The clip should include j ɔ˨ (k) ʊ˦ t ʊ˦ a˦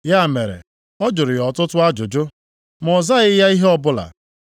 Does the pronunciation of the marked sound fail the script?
yes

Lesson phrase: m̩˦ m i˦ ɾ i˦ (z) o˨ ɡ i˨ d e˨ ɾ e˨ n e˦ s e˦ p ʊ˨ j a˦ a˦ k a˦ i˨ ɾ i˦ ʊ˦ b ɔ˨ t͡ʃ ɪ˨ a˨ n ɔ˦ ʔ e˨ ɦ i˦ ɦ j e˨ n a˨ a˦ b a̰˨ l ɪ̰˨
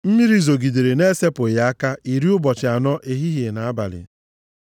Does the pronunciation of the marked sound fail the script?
no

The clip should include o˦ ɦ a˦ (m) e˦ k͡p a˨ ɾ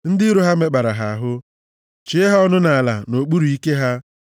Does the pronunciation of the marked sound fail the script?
no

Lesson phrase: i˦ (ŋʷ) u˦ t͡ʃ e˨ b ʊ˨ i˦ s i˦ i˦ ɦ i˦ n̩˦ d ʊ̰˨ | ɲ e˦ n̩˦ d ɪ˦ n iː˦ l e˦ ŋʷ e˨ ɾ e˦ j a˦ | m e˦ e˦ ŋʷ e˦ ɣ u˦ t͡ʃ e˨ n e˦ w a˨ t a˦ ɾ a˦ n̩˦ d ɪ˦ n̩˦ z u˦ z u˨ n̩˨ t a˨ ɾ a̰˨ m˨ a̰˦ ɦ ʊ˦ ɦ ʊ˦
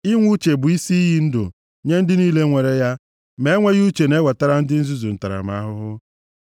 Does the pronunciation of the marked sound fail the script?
no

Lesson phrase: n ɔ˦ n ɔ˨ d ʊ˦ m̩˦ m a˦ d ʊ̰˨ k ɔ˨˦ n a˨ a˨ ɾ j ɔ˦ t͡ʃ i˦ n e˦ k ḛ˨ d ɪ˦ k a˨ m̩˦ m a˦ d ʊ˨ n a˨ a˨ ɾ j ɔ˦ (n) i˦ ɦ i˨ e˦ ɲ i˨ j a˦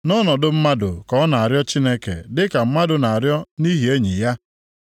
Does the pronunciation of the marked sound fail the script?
no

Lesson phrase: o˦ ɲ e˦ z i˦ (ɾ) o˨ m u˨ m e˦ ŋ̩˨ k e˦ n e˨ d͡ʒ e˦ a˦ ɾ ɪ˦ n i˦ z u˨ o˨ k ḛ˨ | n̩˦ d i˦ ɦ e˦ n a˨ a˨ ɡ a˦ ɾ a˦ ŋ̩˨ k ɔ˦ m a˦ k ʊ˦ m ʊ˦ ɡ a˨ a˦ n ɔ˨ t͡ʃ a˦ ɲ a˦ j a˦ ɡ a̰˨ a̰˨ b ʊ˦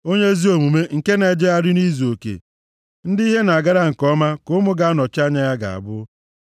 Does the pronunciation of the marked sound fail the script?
yes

